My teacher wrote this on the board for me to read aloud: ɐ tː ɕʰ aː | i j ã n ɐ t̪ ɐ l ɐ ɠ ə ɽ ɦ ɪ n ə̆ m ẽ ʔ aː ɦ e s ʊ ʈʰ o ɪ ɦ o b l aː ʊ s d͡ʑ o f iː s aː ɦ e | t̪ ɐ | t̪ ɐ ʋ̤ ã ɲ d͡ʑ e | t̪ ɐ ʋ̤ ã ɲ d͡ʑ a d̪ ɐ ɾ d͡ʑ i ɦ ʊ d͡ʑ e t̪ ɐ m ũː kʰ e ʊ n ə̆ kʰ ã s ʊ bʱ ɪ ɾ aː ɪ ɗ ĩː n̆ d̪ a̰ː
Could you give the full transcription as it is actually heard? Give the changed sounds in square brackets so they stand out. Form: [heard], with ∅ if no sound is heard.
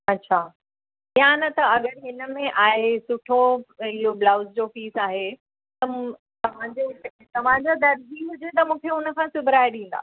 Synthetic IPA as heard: ɐ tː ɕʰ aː | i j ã n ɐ t̪ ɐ [∅] ɐ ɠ ə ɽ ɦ ɪ n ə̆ m ẽ ʔ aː ɦ e s ʊ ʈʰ o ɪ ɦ o b l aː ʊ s d͡ʑ o f iː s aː ɦ e | t̪ ɐ | t̪ ɐ ʋ̤ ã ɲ d͡ʑ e | t̪ ɐ ʋ̤ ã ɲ d͡ʑ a d̪ ɐ ɾ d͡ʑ i ɦ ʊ d͡ʑ e t̪ ɐ m ũː kʰ e ʊ n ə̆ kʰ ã s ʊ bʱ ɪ ɾ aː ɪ ɗ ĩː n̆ d̪ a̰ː